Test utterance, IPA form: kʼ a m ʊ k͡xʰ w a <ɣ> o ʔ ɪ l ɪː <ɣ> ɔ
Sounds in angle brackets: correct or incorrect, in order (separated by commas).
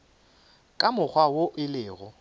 incorrect, correct